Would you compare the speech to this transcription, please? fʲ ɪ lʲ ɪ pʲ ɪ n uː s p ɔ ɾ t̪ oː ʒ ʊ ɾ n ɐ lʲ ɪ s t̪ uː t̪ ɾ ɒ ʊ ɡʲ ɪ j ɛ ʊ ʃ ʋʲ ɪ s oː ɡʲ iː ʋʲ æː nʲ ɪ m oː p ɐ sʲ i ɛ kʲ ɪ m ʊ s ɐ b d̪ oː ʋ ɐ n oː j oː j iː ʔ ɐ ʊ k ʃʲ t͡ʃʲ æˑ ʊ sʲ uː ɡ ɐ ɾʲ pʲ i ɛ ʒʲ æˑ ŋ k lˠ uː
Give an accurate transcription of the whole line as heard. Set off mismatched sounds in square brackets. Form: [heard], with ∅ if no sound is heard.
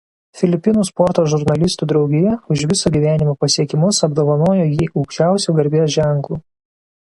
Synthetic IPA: fʲ ɪ lʲ ɪ pʲ ɪ n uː s p ɔ ɾ t̪ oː ʒ ʊ ɾ n ɐ lʲ ɪ s t̪ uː [d̪] ɾ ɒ ʊ ɡʲ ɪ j ɛ ʊ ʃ ʋʲ ɪ s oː ɡʲ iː ʋʲ æː nʲ ɪ m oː p ɐ sʲ i ɛ kʲ ɪ m ʊ s ɐ b d̪ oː ʋ ɐ n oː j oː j iː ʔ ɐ ʊ k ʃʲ t͡ʃʲ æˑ ʊ sʲ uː ɡ ɐ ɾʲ [bʲ] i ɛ ʒʲ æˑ ŋ k lˠ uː

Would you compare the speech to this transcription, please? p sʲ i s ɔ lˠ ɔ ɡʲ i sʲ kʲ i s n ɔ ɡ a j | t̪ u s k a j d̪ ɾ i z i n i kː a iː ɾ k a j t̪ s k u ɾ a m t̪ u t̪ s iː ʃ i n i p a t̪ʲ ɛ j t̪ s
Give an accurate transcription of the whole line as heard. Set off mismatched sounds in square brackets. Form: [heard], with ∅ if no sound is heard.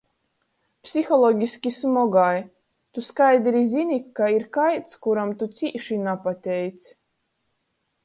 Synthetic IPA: p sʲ i [x] ɔ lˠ ɔ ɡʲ i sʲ kʲ i s [m] ɔ ɡ a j | t̪ u s k a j d̪ ɾ i z i n i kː a [i] ɾ k a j t̪ s k u ɾ a m t̪ u t̪ s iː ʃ i n [a] p a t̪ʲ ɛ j t̪ s

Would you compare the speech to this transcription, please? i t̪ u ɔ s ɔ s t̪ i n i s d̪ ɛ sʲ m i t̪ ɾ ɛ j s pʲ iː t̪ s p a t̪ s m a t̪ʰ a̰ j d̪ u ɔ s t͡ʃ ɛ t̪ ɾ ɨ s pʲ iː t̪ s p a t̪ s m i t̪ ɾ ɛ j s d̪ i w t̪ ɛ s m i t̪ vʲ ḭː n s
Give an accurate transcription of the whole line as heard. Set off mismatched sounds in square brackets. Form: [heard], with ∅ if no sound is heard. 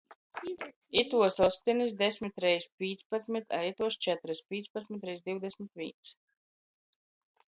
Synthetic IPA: i t̪ u ɔ s ɔ s t̪ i n i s d̪ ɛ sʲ m i t̪ ɾ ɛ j s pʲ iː t̪ s p a t̪ s m [i] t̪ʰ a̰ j [t̪] u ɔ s t͡ʃ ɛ t̪ ɾ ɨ s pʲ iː t̪ s p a t̪ s m i t̪ ɾ ɛ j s d̪ i w [d̪] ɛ s m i t̪ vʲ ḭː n s

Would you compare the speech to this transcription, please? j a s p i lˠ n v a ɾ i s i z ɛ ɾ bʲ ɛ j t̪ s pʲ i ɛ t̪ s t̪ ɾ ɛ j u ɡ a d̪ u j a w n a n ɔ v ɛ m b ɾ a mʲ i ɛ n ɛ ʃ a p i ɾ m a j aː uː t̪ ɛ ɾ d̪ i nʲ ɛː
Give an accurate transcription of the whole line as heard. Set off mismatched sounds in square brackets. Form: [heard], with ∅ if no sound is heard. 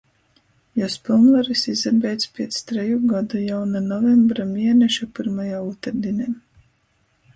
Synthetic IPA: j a s p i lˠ n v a ɾ i s i z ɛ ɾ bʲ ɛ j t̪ s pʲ i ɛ t̪ s t̪ ɾ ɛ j u ɡ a d̪ u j a w n a n ɔ v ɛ m b ɾ a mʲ i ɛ n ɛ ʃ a p i ɾ m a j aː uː t̪ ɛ ɾ d̪ i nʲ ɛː

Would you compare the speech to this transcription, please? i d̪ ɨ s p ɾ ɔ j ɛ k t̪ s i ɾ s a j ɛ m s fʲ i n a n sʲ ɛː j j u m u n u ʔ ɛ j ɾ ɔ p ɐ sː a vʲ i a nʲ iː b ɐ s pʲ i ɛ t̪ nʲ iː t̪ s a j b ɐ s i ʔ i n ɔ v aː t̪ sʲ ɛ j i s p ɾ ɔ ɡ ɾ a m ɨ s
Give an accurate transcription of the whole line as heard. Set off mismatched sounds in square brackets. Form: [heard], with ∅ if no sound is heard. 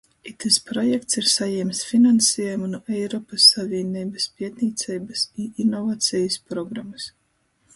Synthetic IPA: i [t̪] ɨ s p ɾ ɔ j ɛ k t̪ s i ɾ s a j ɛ m s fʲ i n a n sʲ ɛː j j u m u n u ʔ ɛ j ɾ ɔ p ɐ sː a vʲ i [ɛ] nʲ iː b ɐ s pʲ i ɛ t̪ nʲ iː t̪ s [ɛ] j b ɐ s i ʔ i n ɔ v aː t̪ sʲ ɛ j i s p ɾ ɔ ɡ ɾ a m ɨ s

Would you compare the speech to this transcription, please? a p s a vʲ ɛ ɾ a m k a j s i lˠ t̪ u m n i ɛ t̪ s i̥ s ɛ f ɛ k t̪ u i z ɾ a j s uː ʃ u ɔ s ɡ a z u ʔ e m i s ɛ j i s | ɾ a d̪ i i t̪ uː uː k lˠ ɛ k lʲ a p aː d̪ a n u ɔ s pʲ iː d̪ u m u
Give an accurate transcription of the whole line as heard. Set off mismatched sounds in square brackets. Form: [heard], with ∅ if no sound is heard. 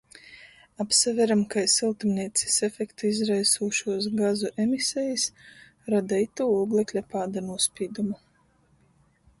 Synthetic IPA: a p s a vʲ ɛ ɾ a m k a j s i lˠ t̪ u m n i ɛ t̪ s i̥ s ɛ f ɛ k t̪ u i z ɾ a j s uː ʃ u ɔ s ɡ a z u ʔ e m i s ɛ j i s | ɾ a d̪ [a] i t̪ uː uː [ɡ] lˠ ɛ k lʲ a p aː d̪ a n u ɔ s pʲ iː d̪ u m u

